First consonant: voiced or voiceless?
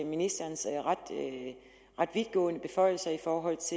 voiced